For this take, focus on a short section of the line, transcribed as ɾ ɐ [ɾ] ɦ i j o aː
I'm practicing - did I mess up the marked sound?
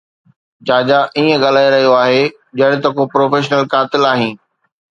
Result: yes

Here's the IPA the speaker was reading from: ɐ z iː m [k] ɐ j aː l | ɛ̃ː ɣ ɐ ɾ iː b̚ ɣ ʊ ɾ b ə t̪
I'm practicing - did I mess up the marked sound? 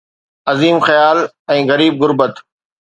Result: yes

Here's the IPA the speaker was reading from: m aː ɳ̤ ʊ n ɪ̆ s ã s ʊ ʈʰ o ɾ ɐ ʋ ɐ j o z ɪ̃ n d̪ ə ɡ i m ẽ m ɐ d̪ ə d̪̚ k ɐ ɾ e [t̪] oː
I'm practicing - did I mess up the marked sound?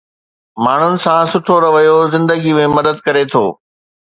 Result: yes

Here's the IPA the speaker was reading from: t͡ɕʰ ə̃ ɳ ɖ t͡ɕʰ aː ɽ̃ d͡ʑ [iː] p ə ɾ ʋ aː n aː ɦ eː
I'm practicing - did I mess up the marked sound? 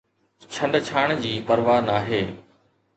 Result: no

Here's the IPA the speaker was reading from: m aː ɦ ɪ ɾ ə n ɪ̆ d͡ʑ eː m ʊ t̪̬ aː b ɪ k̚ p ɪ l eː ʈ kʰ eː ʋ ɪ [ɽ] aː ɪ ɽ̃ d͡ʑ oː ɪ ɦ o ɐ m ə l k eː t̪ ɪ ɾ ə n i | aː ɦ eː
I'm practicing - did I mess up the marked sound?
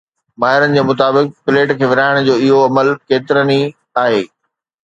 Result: yes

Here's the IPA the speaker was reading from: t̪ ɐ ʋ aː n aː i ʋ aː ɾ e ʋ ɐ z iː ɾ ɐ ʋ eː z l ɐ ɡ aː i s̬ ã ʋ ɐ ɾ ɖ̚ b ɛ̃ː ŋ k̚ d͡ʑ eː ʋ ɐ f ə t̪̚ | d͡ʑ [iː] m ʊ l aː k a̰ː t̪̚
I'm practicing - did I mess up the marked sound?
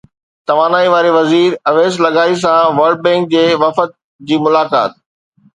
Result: no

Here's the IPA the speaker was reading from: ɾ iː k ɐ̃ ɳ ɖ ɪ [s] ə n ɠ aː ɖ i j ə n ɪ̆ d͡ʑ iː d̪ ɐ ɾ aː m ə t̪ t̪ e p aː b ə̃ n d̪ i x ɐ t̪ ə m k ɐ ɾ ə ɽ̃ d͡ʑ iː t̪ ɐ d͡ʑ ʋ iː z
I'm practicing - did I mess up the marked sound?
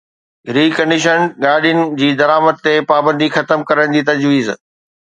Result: yes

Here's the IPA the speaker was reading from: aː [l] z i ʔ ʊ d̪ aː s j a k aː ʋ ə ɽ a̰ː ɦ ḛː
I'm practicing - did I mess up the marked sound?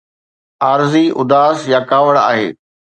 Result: yes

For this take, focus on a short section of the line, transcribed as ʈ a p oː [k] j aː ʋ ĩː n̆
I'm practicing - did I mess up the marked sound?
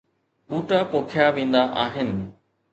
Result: yes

